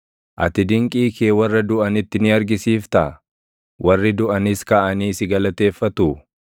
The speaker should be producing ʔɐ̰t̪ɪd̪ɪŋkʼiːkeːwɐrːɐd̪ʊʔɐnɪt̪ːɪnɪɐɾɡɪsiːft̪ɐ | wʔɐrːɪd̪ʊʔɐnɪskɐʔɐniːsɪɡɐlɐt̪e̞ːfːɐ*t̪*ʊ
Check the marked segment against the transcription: correct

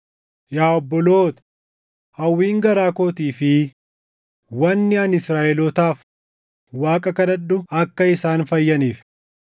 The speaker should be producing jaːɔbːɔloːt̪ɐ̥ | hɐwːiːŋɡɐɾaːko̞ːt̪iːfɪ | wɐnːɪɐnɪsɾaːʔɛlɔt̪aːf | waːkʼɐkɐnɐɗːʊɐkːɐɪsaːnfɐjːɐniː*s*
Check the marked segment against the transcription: incorrect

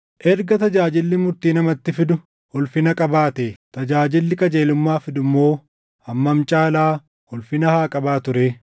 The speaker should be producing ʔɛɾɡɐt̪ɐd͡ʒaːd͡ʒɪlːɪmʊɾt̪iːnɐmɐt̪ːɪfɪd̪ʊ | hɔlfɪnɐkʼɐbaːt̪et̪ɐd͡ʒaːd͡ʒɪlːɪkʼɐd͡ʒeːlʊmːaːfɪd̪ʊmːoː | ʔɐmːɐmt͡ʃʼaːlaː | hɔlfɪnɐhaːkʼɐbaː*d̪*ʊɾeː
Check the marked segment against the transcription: incorrect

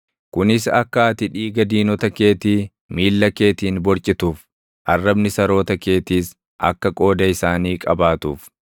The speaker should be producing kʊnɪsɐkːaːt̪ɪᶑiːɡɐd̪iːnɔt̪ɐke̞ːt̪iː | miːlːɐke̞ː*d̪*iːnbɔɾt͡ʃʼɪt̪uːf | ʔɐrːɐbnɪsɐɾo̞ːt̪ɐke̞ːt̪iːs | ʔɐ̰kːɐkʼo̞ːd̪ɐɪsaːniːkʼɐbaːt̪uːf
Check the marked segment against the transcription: incorrect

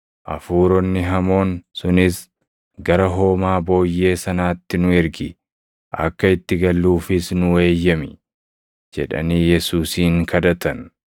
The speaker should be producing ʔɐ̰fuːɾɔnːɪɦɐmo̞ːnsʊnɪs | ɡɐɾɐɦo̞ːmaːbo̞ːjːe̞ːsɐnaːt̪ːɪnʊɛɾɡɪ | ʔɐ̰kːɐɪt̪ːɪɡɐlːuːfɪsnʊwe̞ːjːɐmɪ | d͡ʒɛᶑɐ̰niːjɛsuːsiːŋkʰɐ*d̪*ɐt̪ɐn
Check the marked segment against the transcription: correct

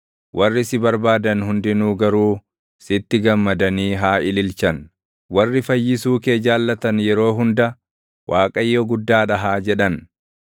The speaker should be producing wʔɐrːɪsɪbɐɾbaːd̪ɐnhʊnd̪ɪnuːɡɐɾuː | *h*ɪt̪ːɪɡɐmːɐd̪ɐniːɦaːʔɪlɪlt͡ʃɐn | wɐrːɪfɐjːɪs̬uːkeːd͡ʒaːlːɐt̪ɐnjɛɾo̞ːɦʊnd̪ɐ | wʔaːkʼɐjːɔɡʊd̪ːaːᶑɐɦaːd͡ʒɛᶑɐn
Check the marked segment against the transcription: incorrect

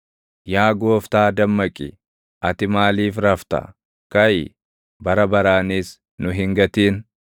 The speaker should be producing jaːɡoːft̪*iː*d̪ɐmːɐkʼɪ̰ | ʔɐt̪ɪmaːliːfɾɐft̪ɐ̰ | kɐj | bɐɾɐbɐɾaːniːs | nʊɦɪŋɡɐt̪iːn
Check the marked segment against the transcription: incorrect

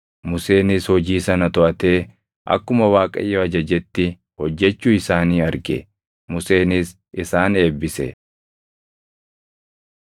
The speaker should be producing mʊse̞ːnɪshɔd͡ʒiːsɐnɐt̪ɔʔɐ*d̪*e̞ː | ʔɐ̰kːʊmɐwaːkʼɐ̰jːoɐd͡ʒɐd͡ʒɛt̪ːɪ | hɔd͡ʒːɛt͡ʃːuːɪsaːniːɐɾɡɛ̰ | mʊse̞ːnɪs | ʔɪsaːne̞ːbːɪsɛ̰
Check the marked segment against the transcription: incorrect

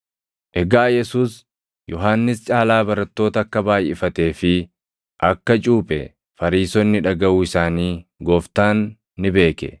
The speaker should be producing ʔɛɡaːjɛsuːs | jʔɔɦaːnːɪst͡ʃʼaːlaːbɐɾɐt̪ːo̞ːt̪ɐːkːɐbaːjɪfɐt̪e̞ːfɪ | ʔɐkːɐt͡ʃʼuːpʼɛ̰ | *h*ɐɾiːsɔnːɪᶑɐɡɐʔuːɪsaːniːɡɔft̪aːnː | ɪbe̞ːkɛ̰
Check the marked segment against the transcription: incorrect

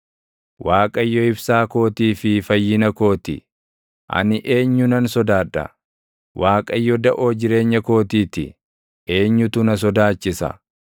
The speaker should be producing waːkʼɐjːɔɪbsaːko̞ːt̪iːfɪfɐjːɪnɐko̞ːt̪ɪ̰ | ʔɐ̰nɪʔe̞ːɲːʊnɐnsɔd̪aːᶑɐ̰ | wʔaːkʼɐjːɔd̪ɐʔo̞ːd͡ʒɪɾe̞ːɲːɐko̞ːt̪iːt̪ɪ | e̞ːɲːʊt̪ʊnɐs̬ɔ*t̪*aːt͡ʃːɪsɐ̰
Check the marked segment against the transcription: incorrect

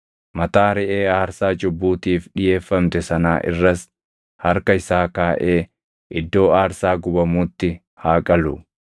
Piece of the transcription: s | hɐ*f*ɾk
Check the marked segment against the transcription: incorrect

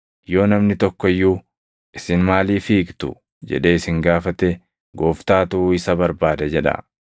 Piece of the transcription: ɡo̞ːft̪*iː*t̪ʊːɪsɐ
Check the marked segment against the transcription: incorrect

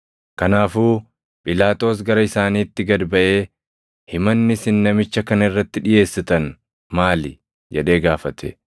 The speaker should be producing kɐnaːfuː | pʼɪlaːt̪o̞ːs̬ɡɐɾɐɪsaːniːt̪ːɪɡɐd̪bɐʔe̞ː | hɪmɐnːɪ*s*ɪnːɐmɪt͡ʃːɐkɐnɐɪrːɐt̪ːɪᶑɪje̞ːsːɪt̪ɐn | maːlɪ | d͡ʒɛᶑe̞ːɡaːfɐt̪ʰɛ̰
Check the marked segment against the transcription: correct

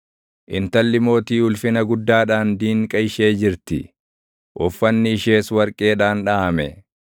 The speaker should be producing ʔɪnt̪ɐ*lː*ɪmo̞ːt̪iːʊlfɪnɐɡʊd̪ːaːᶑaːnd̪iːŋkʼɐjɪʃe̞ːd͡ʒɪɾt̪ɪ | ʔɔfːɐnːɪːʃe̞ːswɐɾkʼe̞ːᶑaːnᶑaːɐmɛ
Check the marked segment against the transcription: correct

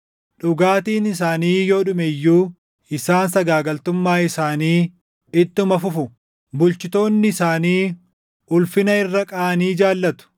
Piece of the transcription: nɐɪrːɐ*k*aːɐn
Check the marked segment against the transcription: incorrect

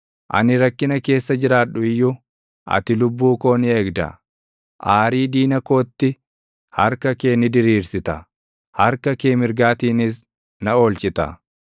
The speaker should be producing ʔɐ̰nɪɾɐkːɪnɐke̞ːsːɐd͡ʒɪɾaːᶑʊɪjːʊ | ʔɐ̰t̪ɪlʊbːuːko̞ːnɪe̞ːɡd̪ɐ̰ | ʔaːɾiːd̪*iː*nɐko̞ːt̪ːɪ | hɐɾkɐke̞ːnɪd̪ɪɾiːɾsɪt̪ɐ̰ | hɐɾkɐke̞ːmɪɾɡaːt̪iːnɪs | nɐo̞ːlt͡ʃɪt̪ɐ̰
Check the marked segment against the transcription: correct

